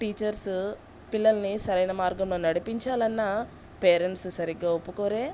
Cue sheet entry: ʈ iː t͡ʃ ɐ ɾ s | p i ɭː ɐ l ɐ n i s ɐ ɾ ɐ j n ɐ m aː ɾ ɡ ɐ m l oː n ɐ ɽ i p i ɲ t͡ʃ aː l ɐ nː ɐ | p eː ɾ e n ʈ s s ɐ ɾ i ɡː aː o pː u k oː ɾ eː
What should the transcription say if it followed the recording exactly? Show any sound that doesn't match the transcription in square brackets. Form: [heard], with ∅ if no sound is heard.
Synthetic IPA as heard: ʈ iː t͡ʃ ɐ ɾ s | p i [lː] ɐ l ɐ n i s ɐ ɾ ɐ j n ɐ m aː ɾ ɡ ɐ m l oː n ɐ ɽ i p i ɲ t͡ʃ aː l ɐ nː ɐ | p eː ɾ e [ɳ] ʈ s s ɐ ɾ i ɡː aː o pː u k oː ɾ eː